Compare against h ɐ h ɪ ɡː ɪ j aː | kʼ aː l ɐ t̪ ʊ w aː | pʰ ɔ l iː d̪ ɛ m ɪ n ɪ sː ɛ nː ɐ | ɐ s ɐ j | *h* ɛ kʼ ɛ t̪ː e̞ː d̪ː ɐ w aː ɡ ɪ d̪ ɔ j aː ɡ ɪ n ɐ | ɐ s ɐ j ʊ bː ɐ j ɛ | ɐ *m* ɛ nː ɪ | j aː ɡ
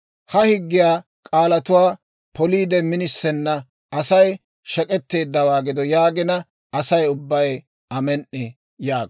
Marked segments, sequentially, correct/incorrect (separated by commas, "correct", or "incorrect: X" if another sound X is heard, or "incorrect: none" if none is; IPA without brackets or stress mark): incorrect: ʃ, correct